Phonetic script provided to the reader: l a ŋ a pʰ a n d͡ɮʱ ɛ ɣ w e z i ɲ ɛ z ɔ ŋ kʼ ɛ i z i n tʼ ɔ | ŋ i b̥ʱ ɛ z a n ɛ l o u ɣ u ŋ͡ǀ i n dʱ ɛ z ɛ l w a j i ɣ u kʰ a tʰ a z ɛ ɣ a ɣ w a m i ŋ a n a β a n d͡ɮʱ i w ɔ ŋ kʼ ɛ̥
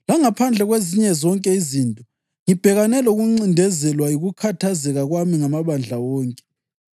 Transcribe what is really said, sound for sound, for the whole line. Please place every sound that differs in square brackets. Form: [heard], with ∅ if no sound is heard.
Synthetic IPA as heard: l a ŋ a pʰ a n d͡ɮʱ ɛ ɣ w e z i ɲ ɛ z ɔ ŋ kʼ ɛ i z i n tʼ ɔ | ŋ i b̥ʱ ɛ [ɣ] a n ɛ l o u ɣ u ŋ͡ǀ i n dʱ ɛ z ɛ l w a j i ɣ u kʰ a tʰ a z ɛ ɣ a ɣ w a m i ŋ a [m] a β a n d͡ɮʱ [a] w [ɔː] ŋ kʼ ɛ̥